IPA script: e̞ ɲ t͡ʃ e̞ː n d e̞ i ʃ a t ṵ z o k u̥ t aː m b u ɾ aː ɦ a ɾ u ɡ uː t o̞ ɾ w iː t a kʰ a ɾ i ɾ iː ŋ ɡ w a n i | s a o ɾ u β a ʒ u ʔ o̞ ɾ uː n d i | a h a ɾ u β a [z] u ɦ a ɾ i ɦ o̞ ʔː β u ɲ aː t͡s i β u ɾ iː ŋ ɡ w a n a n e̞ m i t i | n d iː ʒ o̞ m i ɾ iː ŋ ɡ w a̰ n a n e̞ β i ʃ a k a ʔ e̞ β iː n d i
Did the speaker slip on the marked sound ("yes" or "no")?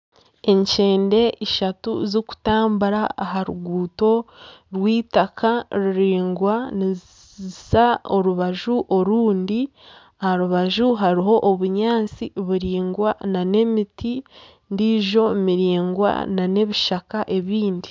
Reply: yes